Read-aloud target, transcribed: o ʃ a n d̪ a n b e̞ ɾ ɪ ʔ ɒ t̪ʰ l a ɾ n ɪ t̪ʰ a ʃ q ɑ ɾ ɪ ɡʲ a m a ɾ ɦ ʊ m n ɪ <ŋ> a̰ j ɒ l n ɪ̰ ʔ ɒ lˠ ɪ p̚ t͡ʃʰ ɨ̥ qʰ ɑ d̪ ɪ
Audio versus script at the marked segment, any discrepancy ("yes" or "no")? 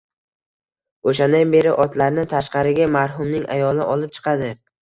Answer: no